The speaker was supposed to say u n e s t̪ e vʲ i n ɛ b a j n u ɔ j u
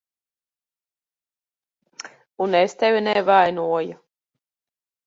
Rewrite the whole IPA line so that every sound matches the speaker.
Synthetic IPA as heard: u n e s t̪ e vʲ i n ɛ v a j n u ɔ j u